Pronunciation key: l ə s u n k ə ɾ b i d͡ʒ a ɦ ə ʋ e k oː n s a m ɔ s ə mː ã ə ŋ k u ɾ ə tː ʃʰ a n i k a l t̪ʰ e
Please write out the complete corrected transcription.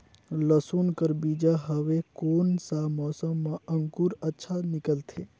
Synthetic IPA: l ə s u n k ə ɾ b i d͡ʒ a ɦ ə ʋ e k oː n s a m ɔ s ə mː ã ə ŋ k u ɾ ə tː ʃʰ a n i k ə l t̪ʰ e